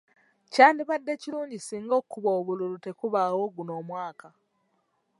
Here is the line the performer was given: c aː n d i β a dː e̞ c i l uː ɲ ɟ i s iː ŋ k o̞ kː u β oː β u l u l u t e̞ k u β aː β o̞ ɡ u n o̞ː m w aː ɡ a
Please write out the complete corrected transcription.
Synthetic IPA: c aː n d i β a dː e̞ c i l uː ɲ ɟ i s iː ŋ ɡ o̞ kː u β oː β u l u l u t e̞ k u β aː w o̞ ɡ u n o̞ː m w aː k a